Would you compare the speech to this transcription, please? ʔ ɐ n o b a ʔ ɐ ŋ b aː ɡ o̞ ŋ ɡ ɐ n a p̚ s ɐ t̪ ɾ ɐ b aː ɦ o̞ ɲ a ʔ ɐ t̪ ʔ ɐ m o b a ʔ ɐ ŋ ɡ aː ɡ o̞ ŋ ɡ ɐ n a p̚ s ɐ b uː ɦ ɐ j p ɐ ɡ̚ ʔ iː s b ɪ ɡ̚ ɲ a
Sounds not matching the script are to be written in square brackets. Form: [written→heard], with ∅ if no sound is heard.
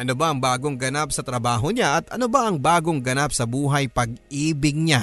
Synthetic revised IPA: ʔ ɐ n o b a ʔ ɐ ŋ b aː ɡ o̞ ŋ ɡ ɐ n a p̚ s ɐ t̪ ɾ ɐ b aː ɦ o̞ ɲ a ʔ ɐ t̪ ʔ ɐ [m→n] o b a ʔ ɐ ŋ [ɡ→b] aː ɡ o̞ ŋ ɡ ɐ n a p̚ s ɐ b uː ɦ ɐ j p ɐ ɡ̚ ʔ iː [s→∅] b ɪ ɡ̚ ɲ a